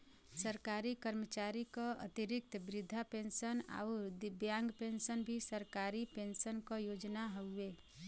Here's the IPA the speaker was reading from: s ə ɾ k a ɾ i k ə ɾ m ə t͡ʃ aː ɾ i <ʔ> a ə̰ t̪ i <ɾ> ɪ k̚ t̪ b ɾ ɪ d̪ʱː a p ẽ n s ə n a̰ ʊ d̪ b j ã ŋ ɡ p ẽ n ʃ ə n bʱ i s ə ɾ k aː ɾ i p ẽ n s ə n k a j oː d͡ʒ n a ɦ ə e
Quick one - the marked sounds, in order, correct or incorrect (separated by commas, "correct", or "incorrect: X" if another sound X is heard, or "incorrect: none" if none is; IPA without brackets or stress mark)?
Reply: incorrect: k, correct